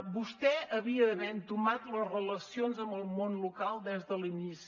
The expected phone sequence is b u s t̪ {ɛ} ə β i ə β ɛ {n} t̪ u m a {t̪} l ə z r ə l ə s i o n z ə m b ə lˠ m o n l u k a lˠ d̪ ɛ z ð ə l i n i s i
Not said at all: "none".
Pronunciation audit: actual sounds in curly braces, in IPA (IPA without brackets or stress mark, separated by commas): ɛ, n, t̪